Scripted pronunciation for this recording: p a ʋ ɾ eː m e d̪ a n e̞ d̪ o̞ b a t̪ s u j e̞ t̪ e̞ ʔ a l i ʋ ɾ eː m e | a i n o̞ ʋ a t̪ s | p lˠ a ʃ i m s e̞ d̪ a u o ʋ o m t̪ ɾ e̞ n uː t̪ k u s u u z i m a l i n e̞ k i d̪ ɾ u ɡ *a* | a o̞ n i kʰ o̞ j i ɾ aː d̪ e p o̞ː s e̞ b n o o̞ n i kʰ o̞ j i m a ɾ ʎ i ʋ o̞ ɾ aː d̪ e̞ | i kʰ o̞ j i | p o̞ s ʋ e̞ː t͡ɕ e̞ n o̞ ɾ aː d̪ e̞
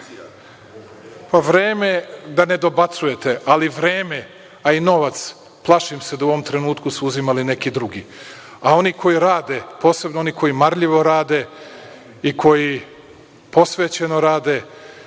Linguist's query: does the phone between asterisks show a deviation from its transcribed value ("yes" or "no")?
yes